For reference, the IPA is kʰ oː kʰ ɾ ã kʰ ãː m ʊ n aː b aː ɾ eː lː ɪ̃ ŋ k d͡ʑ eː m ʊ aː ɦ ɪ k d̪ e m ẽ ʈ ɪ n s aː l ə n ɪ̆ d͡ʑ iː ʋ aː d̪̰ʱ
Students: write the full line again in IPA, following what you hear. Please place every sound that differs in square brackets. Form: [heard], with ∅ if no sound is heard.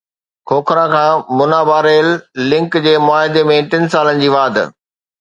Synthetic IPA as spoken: kʰ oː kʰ ɾ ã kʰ ãː m ʊ n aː b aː ɾ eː lː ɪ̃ ŋ k d͡ʑ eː m ʊ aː ɦ ɪ [∅] d̪ e m ẽ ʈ ɪ n s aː l ə n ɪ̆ d͡ʑ iː ʋ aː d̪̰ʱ